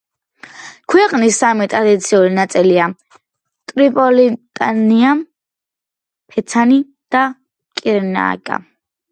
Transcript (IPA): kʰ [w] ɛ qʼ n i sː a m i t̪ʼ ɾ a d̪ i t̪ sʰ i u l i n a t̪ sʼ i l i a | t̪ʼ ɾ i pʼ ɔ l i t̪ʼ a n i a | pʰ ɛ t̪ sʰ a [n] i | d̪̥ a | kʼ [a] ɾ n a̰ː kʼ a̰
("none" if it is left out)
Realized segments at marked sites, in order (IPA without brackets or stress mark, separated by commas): w, n, i